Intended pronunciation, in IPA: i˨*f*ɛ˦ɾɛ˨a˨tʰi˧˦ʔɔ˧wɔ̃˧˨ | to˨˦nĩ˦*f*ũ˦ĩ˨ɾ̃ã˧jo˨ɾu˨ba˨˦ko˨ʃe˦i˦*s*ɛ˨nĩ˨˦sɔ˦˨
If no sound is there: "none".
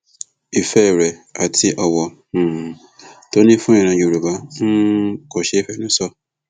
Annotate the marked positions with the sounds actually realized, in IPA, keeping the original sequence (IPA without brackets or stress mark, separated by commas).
f, f, f